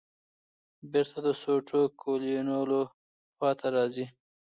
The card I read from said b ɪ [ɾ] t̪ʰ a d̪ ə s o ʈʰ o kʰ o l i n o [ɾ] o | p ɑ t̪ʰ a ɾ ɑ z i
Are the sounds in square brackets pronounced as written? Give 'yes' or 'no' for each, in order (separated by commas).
yes, no